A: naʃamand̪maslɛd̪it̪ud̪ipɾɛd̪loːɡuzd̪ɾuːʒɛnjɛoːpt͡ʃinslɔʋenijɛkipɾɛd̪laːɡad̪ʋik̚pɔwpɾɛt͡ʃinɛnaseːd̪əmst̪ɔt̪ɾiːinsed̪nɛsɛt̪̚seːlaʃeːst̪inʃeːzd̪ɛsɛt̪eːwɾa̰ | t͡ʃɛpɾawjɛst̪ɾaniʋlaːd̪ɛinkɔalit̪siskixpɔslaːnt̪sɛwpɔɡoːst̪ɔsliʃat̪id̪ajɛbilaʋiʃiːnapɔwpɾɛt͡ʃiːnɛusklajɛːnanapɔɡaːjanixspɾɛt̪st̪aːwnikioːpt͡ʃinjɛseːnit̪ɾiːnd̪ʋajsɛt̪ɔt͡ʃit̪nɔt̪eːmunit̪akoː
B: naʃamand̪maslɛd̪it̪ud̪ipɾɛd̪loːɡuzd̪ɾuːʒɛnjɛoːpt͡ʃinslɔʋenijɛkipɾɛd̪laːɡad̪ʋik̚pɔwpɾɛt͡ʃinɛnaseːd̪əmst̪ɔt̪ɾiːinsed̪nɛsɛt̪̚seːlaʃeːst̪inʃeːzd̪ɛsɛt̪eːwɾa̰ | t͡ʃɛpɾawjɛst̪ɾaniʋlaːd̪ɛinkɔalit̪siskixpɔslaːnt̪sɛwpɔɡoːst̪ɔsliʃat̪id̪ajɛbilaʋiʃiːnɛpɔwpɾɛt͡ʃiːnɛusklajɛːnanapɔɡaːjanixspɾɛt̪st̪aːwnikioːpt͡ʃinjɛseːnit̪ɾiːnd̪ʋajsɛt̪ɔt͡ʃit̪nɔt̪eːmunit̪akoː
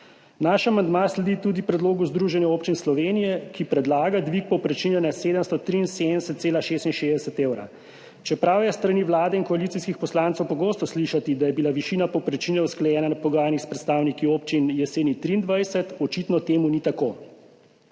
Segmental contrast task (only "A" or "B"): A